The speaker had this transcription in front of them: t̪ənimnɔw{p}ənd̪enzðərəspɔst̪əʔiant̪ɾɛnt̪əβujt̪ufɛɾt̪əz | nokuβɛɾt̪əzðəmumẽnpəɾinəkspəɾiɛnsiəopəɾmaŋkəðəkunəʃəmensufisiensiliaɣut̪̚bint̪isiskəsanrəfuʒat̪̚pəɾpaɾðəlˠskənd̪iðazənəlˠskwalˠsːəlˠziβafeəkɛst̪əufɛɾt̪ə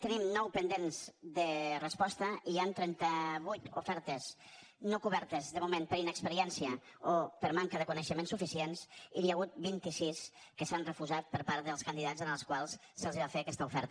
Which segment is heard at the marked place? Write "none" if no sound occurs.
p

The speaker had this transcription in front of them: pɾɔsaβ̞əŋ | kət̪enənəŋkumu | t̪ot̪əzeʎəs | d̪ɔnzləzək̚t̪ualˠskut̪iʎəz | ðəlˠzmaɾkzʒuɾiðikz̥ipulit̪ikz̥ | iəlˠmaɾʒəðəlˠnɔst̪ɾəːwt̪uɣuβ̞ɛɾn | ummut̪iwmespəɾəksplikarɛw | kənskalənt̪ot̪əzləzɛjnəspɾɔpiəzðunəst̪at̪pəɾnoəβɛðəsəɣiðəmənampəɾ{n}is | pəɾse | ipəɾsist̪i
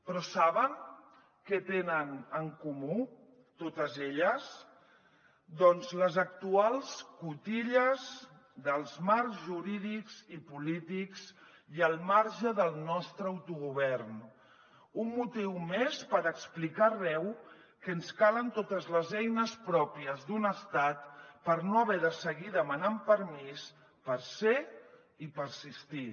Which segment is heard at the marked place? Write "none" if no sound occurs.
m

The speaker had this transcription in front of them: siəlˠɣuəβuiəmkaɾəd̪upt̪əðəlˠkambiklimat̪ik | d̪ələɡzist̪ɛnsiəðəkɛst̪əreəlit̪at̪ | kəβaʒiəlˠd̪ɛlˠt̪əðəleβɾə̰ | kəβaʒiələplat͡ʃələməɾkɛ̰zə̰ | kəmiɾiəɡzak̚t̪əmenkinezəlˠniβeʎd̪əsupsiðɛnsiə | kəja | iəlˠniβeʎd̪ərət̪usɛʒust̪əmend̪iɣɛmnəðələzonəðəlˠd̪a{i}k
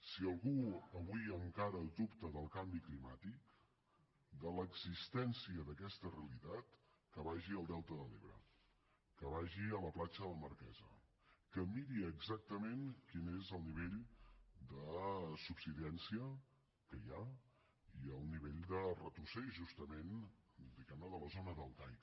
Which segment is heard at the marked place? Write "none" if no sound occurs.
j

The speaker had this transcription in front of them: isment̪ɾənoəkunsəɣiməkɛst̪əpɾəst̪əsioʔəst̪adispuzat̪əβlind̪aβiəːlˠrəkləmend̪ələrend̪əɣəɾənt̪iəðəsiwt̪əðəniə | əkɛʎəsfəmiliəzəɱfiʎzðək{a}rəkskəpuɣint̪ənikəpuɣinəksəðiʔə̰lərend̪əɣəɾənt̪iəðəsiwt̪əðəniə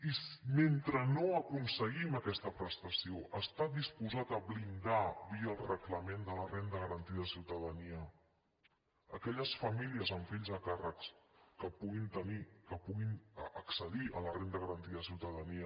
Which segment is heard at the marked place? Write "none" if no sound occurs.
a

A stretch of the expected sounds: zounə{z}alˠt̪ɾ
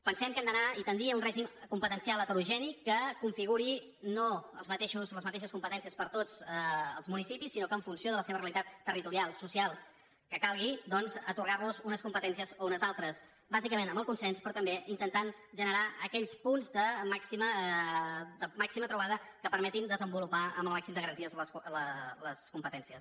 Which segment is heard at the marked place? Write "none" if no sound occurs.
z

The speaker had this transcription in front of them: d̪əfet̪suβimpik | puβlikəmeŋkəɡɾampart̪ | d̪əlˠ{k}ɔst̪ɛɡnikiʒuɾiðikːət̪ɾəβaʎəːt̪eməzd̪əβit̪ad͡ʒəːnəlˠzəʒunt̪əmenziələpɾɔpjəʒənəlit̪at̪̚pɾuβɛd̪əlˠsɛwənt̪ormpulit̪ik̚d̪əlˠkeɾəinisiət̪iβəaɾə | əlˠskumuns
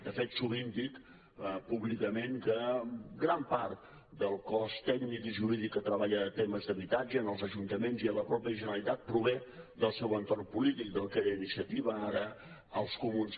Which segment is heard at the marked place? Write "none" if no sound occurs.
k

